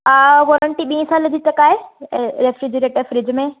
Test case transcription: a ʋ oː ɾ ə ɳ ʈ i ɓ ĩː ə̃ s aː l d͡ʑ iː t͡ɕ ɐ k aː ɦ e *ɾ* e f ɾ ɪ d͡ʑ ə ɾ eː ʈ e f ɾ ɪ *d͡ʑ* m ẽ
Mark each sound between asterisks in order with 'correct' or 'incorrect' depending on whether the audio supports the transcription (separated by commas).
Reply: correct, correct